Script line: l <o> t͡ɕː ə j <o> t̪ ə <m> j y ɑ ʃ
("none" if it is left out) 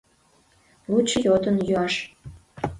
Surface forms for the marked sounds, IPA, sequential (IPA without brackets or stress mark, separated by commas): u, o, n